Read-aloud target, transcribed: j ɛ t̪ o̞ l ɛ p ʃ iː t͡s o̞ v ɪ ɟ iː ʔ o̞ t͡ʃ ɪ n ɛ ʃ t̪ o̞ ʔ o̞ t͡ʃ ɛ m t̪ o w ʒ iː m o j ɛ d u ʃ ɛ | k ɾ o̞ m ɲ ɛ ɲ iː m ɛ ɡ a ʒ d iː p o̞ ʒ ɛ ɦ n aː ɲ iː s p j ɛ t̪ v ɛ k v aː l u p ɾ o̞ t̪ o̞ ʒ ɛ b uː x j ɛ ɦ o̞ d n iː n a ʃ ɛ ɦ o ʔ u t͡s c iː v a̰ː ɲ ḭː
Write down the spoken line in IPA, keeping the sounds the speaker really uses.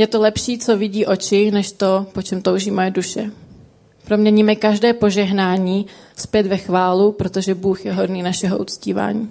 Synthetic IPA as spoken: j ɛ t̪ o̞ l ɛ p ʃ iː t͡s o̞ v ɪ ɟ iː ʔ o̞ t͡ʃ ɪ n ɛ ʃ t̪ o̞ p o̞ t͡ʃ ɛ m t̪ o w ʒ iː m o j ɛ d u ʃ ɛ | p ɾ o̞ m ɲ ɛ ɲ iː m ɛ k a ʒ d ɛː p o̞ ʒ ɛ ɦ n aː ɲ iː s p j ɛ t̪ v ɛ x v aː l u p ɾ o̞ t̪ o̞ ʒ ɛ b uː x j ɛ ɦ o̞ d n iː n a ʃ ɛ ɦ o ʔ u t͡s c iː v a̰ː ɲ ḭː